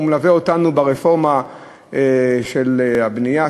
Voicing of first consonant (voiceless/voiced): voiced